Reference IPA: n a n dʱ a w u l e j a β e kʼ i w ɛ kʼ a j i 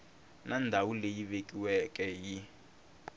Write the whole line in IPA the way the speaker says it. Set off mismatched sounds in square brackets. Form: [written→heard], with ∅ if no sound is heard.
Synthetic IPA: n a n dʱ a w u l e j [a→i] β e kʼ i w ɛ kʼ [a→ɛ] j i